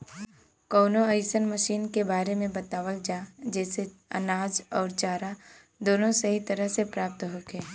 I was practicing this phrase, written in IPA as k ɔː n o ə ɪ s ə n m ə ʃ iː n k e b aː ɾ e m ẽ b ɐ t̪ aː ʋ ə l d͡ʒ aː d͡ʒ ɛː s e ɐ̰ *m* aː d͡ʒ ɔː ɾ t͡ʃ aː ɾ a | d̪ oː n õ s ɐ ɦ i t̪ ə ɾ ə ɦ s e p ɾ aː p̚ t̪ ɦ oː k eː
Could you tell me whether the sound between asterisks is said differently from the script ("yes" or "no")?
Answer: yes